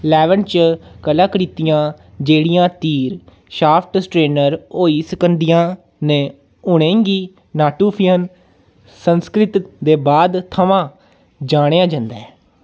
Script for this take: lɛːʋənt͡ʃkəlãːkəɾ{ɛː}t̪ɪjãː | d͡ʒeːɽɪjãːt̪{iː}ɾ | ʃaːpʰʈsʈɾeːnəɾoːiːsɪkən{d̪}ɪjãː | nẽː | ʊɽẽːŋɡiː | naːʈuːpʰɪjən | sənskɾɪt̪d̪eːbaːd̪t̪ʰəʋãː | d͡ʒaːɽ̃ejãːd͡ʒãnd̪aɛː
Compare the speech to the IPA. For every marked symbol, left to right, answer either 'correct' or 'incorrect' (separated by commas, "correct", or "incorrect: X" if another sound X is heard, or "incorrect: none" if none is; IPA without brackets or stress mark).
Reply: incorrect: iː, correct, correct